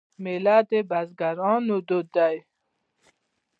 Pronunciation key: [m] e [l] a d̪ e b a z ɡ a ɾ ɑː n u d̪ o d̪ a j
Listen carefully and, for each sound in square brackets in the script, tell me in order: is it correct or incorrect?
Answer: correct, correct

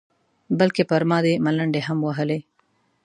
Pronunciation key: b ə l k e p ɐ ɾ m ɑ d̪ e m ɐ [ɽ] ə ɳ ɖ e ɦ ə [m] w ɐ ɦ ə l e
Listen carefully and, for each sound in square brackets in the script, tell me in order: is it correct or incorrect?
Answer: incorrect: l, correct

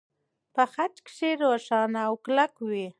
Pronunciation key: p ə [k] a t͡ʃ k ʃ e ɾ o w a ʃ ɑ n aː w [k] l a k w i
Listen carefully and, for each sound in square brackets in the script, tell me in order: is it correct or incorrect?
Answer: incorrect: x, correct

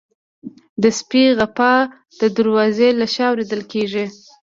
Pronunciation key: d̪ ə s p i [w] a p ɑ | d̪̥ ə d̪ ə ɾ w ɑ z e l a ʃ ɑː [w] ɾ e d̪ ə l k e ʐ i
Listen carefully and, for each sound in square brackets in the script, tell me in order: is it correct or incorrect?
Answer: incorrect: ɣ, correct

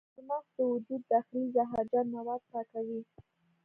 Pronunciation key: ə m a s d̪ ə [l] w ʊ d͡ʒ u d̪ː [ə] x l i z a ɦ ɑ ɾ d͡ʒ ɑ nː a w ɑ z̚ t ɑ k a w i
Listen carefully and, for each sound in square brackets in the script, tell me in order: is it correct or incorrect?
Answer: incorrect: none, incorrect: a

